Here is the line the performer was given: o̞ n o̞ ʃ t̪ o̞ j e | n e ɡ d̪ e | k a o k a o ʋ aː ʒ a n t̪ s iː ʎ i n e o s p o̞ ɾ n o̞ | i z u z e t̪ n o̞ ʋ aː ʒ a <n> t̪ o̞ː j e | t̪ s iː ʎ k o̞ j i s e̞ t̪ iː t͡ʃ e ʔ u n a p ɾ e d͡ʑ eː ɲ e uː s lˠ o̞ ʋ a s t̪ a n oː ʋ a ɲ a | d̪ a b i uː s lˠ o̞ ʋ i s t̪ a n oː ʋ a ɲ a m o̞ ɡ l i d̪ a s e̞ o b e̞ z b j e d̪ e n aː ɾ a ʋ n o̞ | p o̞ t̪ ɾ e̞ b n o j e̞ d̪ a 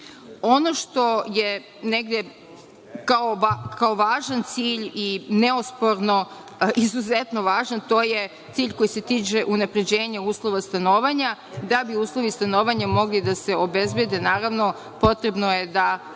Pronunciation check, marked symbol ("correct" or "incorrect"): correct